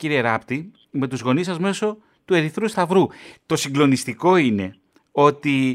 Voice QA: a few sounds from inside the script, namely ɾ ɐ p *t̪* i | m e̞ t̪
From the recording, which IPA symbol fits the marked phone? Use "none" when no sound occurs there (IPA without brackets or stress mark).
t̪